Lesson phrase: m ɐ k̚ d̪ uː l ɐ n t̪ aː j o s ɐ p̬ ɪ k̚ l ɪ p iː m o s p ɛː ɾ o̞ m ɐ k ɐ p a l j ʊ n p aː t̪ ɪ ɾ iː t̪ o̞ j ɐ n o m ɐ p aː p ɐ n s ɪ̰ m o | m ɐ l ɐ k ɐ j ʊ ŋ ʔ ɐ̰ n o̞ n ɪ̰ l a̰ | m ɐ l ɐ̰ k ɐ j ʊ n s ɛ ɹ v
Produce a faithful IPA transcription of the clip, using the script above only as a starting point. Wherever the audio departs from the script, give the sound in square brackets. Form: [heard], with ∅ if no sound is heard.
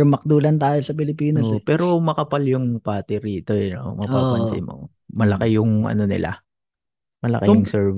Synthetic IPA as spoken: m ɐ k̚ d̪ uː l ɐ n t̪ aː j o s ɐ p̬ ɪ [∅] l ɪ p iː [n] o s p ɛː ɾ o̞ m ɐ k ɐ p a l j ʊ [ŋ] p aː t̪ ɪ ɾ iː t̪ o̞ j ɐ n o m ɐ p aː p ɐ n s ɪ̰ m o | m ɐ l ɐ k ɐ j ʊ ŋ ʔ ɐ̰ n o̞ n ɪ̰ l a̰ | m ɐ l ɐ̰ k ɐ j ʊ [ŋ] s ɛ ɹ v